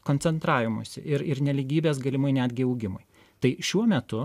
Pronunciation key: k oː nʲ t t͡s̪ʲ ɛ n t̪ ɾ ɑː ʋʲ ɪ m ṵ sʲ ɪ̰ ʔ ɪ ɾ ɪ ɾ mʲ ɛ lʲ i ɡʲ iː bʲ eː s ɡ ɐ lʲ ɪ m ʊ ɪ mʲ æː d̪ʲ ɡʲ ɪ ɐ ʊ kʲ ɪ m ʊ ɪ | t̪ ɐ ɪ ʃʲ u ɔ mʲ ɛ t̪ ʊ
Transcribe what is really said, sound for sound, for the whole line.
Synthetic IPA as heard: k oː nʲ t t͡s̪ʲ ɛ n t̪ ɾ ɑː ʋʲ ɪ m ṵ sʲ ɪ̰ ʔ ɪ ɾ ɪ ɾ nʲ ɛ lʲ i ɡʲ iː bʲ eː s ɡ ɐ lʲ ɪ m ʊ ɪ nʲ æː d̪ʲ ɡʲ ɪ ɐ ʊ ɡʲ ɪ m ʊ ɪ | t̪ ɐ ɪ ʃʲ u ɔ mʲ ɛ t̪ ʊ